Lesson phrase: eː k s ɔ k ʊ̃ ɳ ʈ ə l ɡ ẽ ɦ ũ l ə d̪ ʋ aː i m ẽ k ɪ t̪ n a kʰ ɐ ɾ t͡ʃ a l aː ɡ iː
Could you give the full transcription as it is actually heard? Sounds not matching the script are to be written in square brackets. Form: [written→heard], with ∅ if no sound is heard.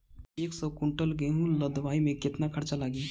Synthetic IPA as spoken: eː k s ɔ k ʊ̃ ɳ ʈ ə l ɡ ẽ ɦ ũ l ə d̪ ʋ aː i m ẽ k ɪ t̪ n a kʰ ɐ ɾ t͡ʃ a l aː ɡ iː